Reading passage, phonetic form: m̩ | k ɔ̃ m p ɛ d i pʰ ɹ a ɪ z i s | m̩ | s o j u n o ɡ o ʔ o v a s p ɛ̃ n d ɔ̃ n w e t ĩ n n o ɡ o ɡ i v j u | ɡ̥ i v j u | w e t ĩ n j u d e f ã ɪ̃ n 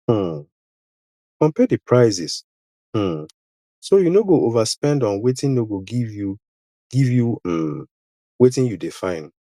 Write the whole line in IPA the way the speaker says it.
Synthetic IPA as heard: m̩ | k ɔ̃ m p ɛ d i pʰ ɹ a ɪ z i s | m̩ | s o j u n o ɡ o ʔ o v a s p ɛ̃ n d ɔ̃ n w e t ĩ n n o ɡ o ɡ i v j u | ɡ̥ i v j u | w e t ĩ n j u d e f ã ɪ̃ n